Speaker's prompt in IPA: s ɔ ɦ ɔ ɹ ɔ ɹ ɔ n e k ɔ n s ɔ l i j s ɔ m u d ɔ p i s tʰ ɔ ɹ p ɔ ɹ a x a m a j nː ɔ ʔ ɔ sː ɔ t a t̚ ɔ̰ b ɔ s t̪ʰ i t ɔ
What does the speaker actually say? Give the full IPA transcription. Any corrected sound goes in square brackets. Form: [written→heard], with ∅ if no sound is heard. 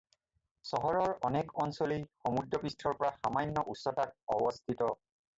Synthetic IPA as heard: s ɔ ɦ ɔ ɹ ɔ ɹ ɔ n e k ɔ n s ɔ l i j [s→x] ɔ m u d ɔ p i s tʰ ɔ ɹ p ɔ ɹ a x a m a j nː ɔ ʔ [ɔ→u] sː ɔ t a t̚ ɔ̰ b ɔ s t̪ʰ i t ɔ

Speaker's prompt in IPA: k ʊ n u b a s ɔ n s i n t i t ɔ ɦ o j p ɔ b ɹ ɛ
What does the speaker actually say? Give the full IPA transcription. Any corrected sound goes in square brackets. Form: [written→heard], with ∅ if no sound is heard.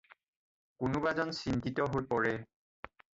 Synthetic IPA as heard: k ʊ n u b a [s→z] ɔ n s i n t i t ɔ ɦ o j p ɔ [b→∅] ɹ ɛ

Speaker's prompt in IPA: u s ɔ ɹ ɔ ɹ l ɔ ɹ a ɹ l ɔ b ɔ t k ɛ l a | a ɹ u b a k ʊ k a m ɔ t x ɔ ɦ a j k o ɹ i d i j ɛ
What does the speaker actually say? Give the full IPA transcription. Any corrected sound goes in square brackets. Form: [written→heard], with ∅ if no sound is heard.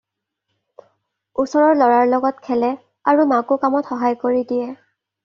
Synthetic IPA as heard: u s ɔ ɹ ɔ ɹ l ɔ ɹ a ɹ l ɔ [b→ɡ] ɔ t [k→kʰ] ɛ l [a→ɛ] | a ɹ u [b→m] a k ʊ k a m ɔ t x ɔ ɦ a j k o ɹ i d i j ɛ

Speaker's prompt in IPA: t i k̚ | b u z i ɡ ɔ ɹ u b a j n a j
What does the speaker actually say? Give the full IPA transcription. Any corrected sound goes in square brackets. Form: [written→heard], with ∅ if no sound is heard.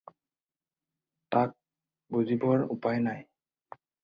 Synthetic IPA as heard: t [i→a] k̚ | b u z i [ɡ→b] ɔ ɹ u [b→p] a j n a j

